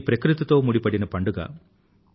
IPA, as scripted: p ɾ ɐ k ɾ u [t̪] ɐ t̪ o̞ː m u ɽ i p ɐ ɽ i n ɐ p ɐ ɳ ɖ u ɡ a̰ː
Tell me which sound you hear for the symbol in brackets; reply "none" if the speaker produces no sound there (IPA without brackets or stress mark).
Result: t̪